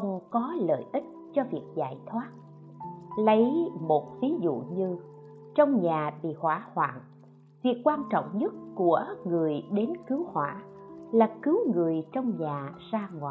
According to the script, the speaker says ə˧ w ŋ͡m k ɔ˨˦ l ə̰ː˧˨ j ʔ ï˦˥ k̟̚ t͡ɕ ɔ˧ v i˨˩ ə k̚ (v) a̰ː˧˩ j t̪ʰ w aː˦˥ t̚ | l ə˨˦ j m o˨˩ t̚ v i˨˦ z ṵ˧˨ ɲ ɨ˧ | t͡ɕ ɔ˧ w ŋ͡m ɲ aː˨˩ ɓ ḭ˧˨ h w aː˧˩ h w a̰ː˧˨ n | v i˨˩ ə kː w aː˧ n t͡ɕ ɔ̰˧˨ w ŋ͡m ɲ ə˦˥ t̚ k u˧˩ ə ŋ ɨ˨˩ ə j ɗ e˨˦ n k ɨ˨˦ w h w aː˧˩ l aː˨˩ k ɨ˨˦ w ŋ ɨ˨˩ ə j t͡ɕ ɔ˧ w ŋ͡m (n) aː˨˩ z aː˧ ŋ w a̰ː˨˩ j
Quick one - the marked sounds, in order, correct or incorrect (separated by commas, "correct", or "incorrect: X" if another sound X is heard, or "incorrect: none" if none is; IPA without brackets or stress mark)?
incorrect: z, incorrect: ɲ